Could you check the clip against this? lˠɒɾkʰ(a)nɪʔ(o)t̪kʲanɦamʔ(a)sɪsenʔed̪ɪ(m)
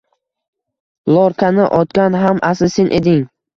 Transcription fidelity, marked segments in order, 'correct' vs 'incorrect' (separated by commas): correct, incorrect, correct, incorrect